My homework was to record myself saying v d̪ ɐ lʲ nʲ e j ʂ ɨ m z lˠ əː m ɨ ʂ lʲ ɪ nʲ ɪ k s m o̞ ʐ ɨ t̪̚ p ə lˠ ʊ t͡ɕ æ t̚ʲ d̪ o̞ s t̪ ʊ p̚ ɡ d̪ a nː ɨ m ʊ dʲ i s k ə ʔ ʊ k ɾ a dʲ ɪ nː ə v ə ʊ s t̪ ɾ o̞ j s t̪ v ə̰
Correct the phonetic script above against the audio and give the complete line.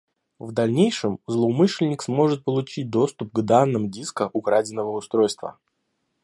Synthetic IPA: v d̪ ɐ lʲ nʲ e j ʂ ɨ m z lˠ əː m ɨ ʂ lʲ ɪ nʲ ɪ k s m o̞ ʐ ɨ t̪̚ p ə lˠ ʊ t͡ɕ i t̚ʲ d̪ o̞ s t̪ ʊ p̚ ɡ d̪ a nː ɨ m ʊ dʲ i s k ə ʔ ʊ k ɾ a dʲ ɪ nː ə v ə ʊ s t̪ ɾ o̞ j s t̪ v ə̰